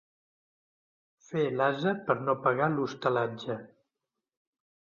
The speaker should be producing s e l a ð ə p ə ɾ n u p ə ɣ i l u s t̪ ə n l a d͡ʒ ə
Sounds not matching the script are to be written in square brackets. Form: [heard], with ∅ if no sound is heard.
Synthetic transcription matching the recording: [f] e l a [z] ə p ə ɾ n [o] p ə ɣ [a] l u s t̪ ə [∅] l a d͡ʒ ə